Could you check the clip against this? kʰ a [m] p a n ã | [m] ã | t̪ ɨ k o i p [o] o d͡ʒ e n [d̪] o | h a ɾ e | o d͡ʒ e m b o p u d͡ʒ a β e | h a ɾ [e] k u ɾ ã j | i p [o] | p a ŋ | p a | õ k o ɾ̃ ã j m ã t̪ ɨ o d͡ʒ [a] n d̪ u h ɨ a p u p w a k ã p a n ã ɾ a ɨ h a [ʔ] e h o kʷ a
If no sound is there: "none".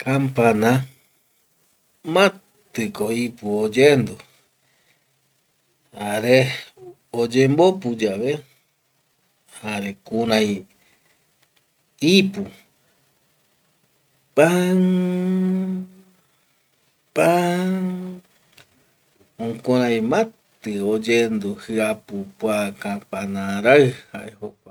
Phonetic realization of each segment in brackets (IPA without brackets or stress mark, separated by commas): m, m, u, d̪, e, u, e, ʔ